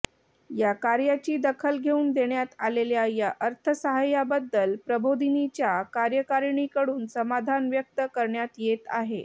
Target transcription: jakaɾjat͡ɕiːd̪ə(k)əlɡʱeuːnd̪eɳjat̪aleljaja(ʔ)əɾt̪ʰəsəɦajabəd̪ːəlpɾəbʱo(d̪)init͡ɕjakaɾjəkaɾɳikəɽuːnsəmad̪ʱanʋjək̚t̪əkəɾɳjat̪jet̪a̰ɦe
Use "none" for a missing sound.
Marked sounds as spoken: kʰ, ʔ, d̪

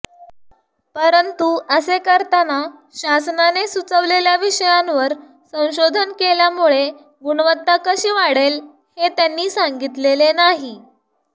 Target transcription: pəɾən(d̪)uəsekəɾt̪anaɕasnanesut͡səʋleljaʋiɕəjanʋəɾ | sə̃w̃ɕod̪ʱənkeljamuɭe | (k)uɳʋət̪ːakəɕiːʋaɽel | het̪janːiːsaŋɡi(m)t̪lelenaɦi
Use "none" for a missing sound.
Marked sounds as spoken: t̪, ɡ, none

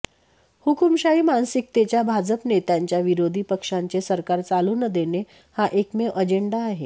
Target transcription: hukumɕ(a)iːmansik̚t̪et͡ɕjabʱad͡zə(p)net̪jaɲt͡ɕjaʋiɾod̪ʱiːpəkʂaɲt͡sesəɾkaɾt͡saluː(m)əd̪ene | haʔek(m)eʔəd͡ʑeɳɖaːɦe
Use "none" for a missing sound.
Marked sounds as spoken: a, p, n, m

